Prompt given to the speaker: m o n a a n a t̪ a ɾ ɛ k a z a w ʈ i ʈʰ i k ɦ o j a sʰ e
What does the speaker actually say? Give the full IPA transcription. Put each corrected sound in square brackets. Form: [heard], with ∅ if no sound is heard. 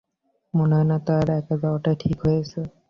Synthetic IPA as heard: m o n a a n a t̪ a ɾ ɛ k a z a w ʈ [a] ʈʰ i k ɦ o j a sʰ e